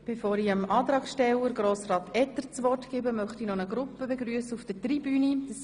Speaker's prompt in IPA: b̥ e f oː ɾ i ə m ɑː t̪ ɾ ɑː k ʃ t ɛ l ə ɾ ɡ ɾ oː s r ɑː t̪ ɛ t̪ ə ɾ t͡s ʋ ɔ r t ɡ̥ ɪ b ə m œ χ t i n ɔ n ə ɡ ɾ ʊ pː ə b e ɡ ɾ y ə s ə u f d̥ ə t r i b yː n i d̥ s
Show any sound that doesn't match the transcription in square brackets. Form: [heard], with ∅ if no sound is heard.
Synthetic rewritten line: b̥ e f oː ɾ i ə m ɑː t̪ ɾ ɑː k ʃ t ɛ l ə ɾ ɡ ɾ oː s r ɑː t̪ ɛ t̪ ə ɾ t͡s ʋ ɔ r t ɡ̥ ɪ b ə m œ χ t i n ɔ n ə ɡ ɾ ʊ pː ə b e ɡ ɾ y ə s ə u f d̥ ə t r i b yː n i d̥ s